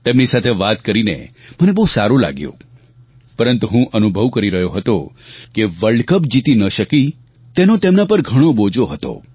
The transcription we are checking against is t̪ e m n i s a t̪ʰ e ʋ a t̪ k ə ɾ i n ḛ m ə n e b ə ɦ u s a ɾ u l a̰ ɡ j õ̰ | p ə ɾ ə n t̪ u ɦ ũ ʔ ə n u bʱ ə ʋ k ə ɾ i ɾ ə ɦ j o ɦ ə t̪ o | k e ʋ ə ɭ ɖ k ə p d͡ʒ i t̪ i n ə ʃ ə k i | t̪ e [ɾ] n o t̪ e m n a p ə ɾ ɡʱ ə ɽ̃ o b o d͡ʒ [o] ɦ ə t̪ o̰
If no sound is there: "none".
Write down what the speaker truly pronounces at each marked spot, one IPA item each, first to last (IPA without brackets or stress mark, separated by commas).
none, o